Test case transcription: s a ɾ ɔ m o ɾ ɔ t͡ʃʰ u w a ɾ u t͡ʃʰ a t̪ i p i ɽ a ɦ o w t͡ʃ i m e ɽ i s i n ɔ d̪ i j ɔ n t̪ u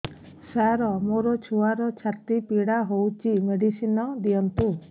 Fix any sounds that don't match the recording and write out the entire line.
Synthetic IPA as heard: s a ɾ ɔ m o ɾ ɔ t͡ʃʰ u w a ɾ ɔ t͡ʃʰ a t̪ i p i ɽ a ɦ o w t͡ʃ i m e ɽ i s i n ɔ d̪ i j ɔ n t̪ u